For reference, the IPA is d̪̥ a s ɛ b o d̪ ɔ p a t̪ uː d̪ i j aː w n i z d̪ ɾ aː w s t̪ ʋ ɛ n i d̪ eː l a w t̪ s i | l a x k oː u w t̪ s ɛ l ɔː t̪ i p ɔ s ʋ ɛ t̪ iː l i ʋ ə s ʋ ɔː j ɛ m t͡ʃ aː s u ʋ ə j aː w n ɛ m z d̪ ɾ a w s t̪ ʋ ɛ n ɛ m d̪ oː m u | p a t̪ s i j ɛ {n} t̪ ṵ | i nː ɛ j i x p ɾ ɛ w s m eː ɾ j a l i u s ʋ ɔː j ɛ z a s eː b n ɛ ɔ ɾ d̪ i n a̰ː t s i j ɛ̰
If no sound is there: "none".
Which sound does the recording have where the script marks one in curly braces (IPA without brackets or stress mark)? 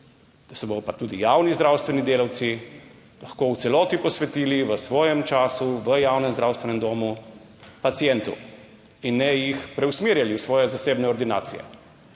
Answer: n